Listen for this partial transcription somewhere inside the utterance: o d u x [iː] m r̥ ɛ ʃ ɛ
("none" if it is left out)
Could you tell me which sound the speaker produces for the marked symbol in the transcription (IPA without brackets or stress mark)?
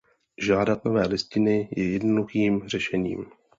iː